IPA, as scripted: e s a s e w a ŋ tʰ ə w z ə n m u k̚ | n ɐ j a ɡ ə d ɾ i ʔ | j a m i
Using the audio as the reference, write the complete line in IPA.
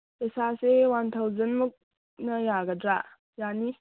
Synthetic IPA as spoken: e s a s e w a n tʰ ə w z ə n m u k̚ | n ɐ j a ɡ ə d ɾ a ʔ | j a n i